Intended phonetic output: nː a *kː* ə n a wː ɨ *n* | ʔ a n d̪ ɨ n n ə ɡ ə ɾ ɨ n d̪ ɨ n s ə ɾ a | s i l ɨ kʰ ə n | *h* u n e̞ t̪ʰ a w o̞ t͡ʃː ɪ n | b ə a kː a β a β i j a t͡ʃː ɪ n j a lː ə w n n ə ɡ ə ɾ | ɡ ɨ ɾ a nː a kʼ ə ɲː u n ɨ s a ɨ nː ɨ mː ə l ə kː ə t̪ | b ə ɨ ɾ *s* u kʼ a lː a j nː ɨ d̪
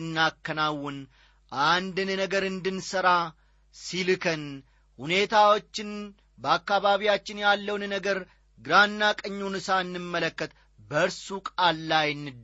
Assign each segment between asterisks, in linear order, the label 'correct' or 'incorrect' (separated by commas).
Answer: correct, correct, correct, correct